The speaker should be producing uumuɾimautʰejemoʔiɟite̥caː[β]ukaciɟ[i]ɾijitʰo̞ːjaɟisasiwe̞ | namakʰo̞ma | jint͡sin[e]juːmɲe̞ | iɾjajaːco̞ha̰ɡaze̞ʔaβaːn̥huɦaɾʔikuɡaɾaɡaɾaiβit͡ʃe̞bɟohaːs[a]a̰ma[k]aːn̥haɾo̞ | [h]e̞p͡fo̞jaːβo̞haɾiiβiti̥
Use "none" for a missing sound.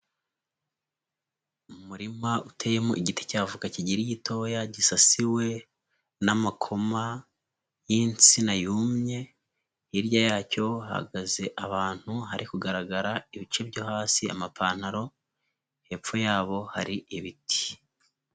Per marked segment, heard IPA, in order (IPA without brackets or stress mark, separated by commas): v, i, a, i, p, h